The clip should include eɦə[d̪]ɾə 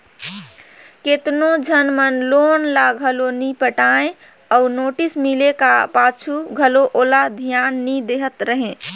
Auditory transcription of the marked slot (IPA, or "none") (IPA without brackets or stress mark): t̪